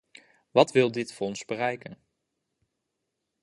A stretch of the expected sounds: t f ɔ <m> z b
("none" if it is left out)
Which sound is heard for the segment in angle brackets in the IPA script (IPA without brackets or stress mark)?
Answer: n